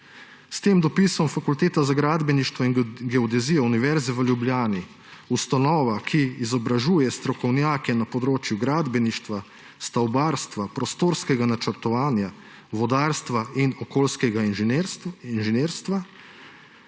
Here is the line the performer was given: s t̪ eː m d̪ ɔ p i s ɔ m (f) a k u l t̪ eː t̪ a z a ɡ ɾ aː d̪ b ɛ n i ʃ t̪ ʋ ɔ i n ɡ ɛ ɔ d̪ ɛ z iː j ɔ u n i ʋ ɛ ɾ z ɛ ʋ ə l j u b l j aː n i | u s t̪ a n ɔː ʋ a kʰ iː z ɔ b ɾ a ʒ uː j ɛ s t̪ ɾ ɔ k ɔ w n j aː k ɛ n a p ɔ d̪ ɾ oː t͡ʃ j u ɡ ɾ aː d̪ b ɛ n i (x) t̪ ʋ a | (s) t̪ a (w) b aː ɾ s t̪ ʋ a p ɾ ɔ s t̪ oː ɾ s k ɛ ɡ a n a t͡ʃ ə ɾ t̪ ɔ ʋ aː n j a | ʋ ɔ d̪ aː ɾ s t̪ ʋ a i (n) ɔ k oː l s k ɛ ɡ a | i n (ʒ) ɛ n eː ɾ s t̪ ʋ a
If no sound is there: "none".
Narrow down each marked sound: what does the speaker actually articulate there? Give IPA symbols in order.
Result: f, ʃ, s, w, n, ʒ

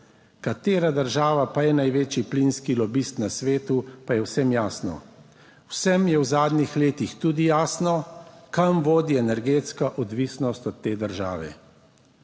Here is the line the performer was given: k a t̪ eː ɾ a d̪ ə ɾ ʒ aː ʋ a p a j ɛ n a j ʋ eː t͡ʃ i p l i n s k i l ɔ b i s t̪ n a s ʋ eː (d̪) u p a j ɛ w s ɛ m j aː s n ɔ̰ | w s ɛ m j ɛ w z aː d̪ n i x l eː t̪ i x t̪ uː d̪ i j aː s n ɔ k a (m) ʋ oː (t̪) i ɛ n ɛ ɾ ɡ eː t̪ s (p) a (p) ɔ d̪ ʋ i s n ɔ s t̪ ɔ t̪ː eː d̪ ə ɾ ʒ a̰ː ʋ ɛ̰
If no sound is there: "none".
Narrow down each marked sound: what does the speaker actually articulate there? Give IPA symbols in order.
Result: t̪, m, d̪, k, ʔ

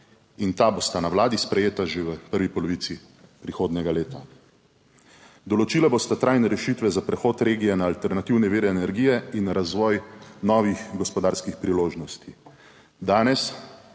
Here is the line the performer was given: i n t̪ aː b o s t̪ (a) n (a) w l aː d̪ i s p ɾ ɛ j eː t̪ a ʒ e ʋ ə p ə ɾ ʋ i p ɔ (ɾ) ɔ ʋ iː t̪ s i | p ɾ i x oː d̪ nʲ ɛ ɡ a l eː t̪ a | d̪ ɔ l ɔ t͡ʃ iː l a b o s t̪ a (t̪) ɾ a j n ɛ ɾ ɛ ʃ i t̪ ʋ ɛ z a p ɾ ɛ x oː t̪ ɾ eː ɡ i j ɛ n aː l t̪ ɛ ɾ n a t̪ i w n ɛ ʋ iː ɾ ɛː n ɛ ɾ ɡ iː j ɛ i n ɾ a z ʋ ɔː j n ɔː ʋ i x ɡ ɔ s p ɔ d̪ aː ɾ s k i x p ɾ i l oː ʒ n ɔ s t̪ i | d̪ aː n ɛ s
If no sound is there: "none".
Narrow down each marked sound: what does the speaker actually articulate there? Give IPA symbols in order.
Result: a, a, l, t̪

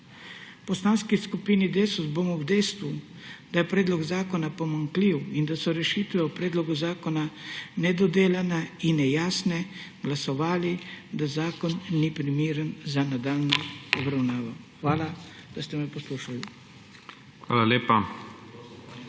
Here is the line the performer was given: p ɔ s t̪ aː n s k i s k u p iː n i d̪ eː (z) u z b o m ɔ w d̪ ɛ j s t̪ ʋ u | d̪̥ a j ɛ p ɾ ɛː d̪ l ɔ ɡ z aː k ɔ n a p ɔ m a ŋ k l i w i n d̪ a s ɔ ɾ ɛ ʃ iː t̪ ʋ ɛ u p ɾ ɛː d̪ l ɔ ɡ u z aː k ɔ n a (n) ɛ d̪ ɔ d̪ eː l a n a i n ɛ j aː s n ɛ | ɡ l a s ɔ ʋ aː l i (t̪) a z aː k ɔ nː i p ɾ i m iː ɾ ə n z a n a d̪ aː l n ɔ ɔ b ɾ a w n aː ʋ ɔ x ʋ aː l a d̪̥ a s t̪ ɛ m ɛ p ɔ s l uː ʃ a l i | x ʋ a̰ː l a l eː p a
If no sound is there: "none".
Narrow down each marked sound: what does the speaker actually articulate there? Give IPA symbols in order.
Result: s, n, d̪

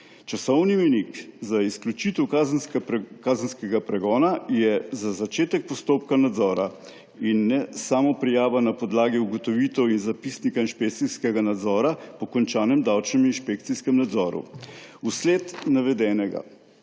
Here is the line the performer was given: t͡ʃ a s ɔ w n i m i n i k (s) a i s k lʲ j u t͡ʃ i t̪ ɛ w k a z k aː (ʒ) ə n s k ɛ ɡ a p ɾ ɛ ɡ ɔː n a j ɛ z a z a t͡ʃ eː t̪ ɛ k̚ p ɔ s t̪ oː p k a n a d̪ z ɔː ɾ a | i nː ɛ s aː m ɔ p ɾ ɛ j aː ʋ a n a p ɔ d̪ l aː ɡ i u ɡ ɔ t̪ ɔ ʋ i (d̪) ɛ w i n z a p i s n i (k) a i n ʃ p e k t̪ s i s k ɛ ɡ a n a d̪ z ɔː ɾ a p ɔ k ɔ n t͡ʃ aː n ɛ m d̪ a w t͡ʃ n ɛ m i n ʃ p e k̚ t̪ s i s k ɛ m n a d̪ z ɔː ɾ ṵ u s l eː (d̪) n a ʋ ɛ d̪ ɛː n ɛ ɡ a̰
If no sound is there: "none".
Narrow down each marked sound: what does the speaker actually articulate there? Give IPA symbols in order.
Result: z, z, t̪, k, t̪

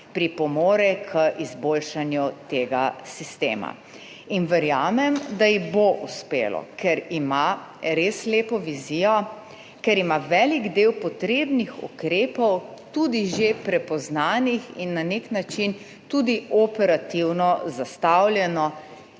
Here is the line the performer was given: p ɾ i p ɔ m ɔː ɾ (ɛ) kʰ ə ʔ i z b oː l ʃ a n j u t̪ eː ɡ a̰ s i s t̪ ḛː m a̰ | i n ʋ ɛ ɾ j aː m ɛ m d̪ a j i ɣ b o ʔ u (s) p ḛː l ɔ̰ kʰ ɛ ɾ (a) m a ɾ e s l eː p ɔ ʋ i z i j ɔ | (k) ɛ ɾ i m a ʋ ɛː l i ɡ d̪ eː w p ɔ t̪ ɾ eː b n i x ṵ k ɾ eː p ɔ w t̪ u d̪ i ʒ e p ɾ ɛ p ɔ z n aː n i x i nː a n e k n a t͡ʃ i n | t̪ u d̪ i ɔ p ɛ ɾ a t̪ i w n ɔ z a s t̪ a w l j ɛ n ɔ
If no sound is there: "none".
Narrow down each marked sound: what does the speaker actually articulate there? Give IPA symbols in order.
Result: ɛ, s, i, k

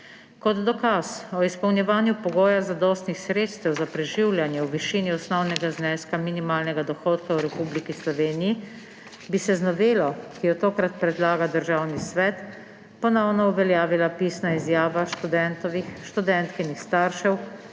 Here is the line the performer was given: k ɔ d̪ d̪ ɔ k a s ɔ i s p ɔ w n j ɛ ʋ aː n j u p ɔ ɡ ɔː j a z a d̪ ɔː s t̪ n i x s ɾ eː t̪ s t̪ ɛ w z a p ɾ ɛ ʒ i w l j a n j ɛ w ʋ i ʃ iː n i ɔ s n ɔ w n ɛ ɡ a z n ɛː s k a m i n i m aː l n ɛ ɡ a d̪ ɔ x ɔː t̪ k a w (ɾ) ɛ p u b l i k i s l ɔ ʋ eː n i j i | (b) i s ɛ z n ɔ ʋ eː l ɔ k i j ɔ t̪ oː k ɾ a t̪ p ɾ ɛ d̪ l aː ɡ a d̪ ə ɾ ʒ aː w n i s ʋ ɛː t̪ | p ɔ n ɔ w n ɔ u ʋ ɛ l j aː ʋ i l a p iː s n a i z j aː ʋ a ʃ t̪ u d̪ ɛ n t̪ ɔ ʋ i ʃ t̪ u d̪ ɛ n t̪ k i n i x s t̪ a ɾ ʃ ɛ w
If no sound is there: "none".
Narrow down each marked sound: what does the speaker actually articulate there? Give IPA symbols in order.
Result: ɾ, b

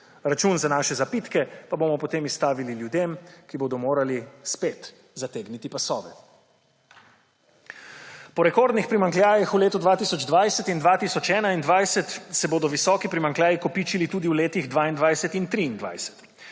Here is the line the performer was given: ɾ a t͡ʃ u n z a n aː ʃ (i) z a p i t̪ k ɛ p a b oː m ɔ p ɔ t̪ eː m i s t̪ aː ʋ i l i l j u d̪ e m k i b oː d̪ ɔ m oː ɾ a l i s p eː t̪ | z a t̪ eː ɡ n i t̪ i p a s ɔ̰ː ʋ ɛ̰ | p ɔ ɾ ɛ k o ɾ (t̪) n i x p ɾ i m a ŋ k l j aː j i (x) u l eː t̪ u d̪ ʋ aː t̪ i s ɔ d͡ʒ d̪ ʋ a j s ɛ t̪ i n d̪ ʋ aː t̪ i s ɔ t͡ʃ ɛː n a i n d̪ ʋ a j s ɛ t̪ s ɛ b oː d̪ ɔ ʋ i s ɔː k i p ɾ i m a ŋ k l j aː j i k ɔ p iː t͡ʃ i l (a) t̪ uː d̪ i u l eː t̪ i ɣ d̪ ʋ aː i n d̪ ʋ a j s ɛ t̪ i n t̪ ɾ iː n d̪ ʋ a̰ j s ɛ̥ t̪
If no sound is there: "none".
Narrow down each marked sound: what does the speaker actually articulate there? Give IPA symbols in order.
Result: ɛ, d̪, x, i

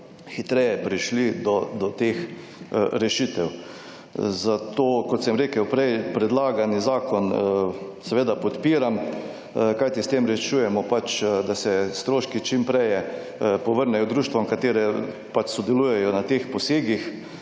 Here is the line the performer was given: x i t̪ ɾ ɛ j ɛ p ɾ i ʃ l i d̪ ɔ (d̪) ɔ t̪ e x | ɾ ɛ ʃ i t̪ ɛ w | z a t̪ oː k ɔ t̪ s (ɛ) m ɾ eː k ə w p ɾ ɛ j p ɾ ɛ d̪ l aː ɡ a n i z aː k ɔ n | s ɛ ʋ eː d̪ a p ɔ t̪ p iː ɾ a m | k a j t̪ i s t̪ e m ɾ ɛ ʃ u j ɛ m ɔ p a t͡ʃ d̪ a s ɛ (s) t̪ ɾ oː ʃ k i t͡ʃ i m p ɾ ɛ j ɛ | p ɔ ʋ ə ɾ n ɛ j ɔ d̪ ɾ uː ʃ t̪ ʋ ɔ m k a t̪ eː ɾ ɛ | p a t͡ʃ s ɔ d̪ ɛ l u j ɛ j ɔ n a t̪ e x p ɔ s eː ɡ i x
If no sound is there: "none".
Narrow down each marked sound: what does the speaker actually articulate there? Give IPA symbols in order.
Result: d̪, ɛ, s

